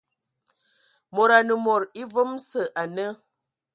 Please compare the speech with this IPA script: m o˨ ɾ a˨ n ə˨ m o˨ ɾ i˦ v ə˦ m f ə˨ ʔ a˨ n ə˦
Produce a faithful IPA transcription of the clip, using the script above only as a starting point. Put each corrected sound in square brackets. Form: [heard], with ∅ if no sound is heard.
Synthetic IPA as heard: m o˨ ɾ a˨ n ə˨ m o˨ ɾ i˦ v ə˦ m [s] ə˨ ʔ a˨ n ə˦